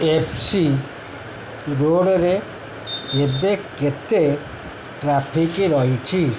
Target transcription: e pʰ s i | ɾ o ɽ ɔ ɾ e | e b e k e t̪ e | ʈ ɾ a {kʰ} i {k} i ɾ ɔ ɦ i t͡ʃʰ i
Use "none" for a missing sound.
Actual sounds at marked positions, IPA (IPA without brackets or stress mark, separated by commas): pʰ, k